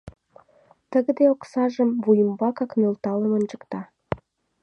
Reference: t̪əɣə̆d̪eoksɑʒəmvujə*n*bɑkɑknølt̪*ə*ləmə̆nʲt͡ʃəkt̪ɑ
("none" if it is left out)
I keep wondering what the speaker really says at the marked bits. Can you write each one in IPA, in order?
m, ɑ

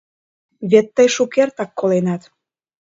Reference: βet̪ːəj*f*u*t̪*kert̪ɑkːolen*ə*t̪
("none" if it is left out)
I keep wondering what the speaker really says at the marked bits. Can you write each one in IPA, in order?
ʃ, none, ɑ

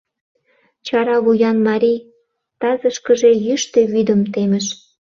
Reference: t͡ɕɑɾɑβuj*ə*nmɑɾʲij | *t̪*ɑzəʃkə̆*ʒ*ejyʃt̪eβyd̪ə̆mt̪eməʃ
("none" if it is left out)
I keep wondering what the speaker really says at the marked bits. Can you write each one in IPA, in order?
ɑ, t̪, ʒ

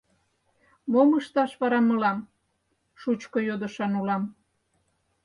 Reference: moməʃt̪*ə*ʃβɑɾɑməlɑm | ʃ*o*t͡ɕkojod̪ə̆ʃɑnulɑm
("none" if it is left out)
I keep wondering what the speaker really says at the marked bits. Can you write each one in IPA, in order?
ɑ, u

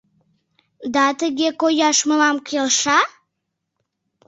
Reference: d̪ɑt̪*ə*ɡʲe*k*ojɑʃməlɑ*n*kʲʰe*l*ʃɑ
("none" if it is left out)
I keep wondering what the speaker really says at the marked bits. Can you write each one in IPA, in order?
ə, k, m, l

